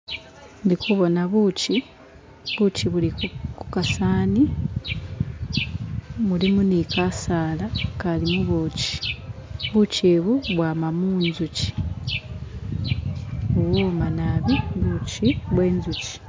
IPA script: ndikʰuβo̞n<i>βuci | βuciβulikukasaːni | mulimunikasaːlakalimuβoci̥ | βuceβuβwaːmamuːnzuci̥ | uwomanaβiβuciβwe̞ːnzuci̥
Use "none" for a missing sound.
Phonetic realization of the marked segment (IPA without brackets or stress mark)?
a